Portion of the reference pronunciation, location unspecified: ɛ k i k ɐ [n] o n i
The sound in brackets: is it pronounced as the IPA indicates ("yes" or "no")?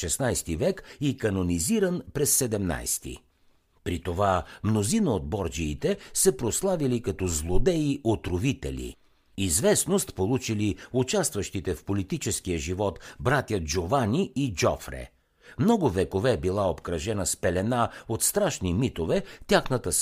yes